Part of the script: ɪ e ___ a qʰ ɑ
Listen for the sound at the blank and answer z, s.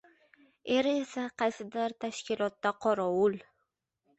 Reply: s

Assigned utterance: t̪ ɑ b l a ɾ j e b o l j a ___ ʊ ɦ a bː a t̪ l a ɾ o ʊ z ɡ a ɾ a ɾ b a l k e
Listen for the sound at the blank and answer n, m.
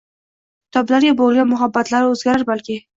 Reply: m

